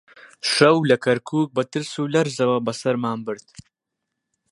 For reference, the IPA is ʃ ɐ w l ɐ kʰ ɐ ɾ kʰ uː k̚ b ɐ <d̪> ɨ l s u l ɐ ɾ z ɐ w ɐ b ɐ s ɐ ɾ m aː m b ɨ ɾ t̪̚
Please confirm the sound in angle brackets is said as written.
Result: no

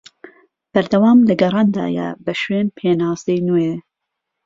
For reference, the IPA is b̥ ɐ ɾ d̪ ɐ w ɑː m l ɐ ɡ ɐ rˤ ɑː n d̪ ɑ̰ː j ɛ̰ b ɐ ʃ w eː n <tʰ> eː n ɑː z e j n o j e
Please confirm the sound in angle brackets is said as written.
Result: no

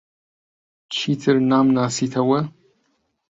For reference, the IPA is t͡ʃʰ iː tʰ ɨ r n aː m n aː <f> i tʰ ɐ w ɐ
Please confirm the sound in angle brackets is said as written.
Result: no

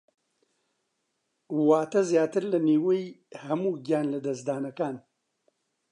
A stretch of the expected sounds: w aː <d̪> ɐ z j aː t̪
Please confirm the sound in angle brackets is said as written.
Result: no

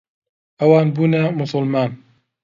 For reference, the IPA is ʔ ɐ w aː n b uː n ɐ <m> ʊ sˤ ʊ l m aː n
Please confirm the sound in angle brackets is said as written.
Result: yes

